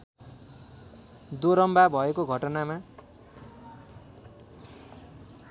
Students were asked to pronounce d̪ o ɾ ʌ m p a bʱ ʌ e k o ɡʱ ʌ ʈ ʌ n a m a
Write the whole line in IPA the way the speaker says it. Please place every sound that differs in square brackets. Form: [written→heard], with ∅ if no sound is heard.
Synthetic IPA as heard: d̪ o ɾ ʌ m [p→b] a bʱ ʌ e k o ɡʱ ʌ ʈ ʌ n a m a